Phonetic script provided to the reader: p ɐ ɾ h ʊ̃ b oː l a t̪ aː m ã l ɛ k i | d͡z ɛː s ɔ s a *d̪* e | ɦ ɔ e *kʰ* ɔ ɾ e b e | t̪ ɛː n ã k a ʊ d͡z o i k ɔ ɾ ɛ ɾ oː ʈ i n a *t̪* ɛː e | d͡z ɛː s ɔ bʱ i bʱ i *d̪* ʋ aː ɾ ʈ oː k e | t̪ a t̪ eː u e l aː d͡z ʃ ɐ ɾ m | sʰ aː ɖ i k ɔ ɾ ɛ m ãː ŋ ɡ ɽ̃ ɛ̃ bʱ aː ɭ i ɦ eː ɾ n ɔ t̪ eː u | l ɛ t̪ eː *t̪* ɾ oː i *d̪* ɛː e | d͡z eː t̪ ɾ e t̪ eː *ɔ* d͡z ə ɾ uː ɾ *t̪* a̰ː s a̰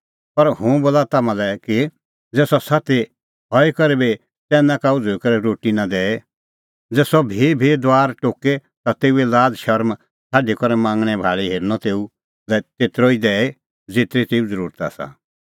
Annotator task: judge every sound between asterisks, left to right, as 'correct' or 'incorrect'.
incorrect, incorrect, incorrect, correct, correct, correct, incorrect, correct

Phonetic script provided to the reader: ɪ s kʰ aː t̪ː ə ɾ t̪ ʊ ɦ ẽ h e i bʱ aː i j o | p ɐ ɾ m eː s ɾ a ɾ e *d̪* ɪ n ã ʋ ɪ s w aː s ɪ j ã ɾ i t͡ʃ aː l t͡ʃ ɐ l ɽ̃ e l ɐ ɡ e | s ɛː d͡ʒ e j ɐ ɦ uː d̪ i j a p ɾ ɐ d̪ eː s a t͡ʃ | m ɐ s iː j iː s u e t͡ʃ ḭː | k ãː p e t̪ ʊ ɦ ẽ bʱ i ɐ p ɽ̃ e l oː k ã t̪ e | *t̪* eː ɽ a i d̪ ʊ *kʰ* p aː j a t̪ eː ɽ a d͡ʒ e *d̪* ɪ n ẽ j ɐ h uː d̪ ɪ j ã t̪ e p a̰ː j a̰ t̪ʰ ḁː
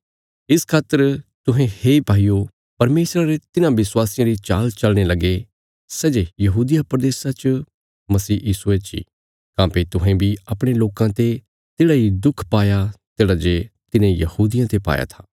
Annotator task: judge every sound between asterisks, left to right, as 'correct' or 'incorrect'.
incorrect, correct, correct, incorrect

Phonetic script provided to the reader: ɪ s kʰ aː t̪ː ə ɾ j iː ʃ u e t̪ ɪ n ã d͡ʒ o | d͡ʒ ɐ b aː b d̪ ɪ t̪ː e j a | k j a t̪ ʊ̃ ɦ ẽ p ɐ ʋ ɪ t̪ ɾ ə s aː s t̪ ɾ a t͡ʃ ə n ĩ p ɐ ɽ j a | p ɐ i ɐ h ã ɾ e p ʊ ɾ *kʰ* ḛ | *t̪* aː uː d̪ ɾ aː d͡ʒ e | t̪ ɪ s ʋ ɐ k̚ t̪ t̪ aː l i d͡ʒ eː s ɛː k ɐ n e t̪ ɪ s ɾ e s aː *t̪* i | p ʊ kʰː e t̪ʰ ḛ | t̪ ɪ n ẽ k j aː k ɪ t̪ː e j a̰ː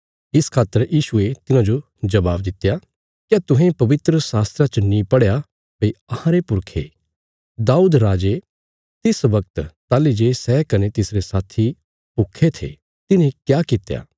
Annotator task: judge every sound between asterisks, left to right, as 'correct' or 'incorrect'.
correct, incorrect, incorrect

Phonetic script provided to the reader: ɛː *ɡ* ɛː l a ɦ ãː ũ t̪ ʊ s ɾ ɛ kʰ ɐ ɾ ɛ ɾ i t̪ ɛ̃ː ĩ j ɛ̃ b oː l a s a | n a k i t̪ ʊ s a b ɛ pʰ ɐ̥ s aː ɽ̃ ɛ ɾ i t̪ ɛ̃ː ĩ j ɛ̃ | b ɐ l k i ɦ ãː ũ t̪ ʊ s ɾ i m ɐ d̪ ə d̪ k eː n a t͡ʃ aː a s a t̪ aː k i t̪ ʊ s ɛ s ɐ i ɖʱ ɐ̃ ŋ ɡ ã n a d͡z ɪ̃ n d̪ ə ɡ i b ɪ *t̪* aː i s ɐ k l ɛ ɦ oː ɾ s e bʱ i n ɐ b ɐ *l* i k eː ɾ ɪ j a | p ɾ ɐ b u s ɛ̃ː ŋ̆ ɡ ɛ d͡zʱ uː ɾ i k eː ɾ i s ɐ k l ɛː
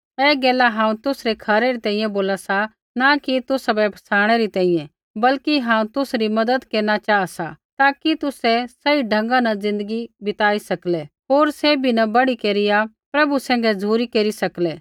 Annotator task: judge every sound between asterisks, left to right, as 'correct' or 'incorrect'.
correct, correct, incorrect

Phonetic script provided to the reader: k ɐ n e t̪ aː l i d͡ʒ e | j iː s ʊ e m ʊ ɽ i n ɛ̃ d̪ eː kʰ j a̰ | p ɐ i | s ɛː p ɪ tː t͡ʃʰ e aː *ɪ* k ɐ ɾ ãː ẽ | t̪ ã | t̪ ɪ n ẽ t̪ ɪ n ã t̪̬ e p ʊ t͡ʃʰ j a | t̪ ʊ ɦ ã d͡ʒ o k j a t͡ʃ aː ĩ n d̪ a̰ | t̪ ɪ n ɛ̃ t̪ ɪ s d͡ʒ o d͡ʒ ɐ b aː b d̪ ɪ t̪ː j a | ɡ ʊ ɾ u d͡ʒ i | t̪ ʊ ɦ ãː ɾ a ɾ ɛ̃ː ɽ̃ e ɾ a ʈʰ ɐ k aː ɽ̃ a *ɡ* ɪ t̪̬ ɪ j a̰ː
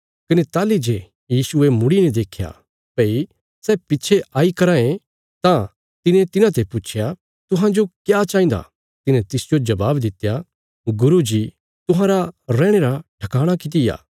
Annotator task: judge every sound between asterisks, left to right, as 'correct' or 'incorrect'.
incorrect, incorrect

